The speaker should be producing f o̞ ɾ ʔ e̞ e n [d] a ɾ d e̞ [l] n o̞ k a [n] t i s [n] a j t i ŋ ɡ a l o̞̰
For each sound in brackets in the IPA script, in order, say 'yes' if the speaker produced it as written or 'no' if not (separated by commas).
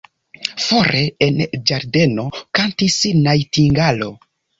no, no, yes, yes